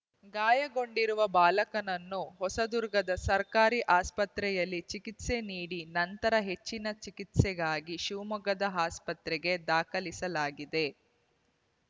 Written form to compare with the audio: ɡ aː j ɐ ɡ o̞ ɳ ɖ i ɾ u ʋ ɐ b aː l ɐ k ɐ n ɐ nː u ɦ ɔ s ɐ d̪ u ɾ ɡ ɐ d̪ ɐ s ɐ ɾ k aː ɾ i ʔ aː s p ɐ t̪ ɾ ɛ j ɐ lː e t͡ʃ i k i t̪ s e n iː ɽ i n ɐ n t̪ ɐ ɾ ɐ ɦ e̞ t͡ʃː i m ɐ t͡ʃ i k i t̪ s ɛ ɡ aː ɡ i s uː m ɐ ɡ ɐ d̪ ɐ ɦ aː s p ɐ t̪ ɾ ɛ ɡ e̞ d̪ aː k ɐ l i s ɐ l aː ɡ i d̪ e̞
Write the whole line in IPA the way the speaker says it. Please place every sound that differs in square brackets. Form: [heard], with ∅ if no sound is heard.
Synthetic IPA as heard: ɡ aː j ɐ ɡ o̞ ɳ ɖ i ɾ u ʋ ɐ b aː l ɐ k ɐ n ɐ nː u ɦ ɔ s ɐ d̪ u ɾ ɡ ɐ d̪ ɐ s ɐ ɾ k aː ɾ i ʔ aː s p ɐ t̪ ɾ ɛ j ɐ lː [i] t͡ʃ i k i t̪ s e n iː ɽ i n ɐ n t̪ ɐ ɾ ɐ ɦ e̞ t͡ʃː i [n] ɐ t͡ʃ i k i t̪ s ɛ ɡ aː ɡ i [ʃ] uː m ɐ ɡ ɐ d̪ ɐ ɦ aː s p ɐ t̪ ɾ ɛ ɡ e̞ d̪ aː k ɐ l i s ɐ l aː ɡ i d̪ e̞